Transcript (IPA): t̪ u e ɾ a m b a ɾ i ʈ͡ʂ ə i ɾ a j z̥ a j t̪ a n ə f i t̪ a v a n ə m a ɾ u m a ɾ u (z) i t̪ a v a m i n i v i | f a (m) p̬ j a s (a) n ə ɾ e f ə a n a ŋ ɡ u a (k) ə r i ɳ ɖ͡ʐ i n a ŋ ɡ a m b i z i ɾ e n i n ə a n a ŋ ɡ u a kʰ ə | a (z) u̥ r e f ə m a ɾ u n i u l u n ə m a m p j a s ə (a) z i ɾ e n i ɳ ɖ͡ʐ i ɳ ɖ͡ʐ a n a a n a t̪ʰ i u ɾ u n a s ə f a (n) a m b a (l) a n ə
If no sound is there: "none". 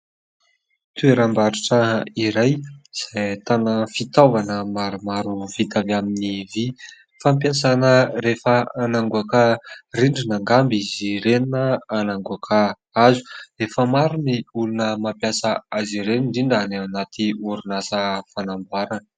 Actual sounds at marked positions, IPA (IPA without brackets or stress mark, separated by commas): v, m, a, k, z, a, n, ɾ